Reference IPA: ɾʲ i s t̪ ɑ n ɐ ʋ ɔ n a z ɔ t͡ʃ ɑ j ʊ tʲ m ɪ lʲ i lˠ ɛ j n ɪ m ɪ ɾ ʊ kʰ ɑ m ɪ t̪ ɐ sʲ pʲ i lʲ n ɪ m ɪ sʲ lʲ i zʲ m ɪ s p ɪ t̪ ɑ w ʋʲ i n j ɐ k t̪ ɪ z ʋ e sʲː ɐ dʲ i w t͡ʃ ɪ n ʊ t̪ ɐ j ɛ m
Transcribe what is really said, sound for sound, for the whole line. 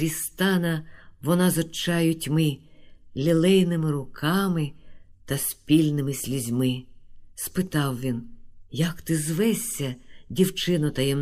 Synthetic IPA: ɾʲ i s t̪ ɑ n ɐ ʋ ɔ n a z ɔ t͡ʃ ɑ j ʊ tʲ m ɪ lʲ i lˠ ɛ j n ɪ m ɪ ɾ ʊ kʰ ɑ m ɪ t̪ ɐ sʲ pʲ i lʲ n ɪ m ɪ sʲ lʲ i zʲ m ɪ s p ɪ t̪ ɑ w ʋʲ i n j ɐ k t̪ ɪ z ʋ ɛ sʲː ɐ dʲ i w t͡ʃ ɪ n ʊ t̪ ɐ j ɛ m